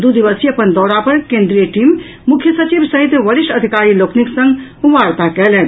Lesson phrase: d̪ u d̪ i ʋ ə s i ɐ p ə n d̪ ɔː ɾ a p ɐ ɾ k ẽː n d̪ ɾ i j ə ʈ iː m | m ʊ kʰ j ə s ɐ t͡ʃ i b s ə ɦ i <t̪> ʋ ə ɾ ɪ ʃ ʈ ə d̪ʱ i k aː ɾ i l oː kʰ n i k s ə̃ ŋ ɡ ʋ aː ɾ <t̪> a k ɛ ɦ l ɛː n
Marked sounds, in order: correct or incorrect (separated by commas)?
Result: correct, correct